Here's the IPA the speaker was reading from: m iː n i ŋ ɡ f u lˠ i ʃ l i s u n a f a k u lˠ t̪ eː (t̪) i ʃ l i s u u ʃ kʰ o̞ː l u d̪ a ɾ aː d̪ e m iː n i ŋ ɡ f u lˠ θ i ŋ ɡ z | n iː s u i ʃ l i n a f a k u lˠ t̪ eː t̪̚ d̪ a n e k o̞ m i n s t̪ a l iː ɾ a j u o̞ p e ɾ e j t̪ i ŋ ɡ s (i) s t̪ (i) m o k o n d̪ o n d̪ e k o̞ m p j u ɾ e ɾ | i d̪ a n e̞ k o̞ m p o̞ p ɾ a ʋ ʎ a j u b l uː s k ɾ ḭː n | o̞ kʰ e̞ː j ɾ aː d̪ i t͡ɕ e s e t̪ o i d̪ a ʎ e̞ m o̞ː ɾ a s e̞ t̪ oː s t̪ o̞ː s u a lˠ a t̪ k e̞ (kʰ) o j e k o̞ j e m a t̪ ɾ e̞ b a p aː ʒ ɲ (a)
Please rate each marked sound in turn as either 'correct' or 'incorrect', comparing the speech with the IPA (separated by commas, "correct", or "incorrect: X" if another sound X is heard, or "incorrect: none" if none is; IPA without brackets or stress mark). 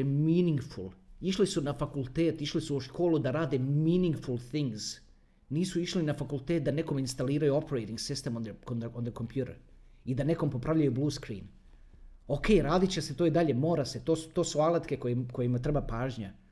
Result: correct, correct, incorrect: e, incorrect: k, correct